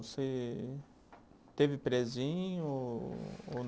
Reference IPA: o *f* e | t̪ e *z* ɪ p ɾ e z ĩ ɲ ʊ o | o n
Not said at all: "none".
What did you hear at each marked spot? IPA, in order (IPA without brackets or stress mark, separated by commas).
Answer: s, v